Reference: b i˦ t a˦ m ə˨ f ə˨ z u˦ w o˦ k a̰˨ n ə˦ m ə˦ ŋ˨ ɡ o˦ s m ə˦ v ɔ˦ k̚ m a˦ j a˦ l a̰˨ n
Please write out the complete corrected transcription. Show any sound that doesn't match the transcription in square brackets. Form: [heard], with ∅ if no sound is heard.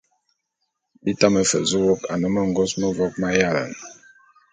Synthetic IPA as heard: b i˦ t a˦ m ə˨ f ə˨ z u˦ w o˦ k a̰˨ n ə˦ m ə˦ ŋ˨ ɡ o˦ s m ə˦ v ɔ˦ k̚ m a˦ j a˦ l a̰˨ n